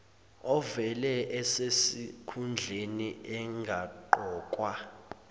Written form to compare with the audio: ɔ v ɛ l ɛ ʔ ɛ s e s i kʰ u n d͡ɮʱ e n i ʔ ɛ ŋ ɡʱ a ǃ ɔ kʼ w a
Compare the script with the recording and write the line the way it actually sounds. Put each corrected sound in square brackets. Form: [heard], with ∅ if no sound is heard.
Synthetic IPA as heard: ɔ v ɛ l ɛ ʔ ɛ s e s i kʰ u n d͡ɮʱ e n i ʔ ɛ ŋ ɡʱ a ǃ [ɔː] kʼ w a